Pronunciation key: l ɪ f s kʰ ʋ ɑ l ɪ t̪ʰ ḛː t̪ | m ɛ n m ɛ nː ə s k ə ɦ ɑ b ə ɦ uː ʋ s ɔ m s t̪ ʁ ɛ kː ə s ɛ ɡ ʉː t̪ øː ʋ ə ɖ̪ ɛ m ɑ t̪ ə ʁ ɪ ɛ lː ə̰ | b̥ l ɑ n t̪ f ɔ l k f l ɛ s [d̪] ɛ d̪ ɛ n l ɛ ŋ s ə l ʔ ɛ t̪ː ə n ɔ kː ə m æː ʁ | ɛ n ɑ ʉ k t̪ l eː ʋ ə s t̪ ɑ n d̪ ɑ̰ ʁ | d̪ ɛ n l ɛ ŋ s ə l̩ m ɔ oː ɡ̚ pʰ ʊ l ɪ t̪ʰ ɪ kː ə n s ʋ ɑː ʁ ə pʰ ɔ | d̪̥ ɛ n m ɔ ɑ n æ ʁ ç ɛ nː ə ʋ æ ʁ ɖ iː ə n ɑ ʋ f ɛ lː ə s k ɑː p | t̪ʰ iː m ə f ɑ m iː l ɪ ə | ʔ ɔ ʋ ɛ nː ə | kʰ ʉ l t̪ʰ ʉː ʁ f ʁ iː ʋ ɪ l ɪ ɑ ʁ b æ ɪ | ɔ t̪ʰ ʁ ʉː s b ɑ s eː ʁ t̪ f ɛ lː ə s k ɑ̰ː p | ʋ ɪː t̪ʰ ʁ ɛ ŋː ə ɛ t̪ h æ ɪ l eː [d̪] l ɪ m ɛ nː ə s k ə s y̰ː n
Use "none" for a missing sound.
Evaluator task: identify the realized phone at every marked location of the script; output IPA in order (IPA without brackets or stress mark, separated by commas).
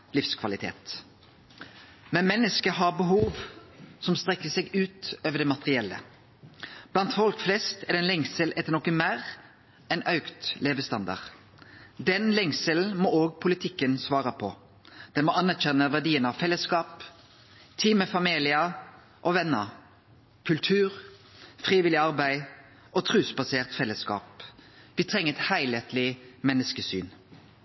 t̪, t̪